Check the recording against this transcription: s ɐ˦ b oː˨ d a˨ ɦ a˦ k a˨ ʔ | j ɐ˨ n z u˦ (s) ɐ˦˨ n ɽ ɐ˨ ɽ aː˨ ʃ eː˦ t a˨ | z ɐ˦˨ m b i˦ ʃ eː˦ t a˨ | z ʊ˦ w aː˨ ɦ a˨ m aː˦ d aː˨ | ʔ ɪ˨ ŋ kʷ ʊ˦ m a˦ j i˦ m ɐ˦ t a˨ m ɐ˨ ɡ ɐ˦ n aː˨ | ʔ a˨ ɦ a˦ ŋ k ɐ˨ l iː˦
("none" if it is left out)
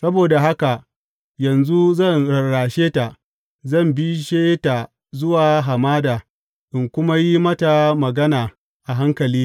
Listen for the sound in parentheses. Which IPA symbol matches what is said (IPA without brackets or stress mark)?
z